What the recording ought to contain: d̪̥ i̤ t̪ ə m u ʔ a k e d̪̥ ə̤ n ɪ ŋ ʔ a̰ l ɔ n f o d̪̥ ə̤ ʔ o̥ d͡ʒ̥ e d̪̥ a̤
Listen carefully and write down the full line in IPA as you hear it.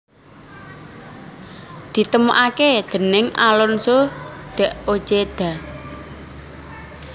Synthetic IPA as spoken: d̪̥ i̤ t̪ ə m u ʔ a k e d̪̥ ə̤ n ɪ ŋ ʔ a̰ l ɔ n s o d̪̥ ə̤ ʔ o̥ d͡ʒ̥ e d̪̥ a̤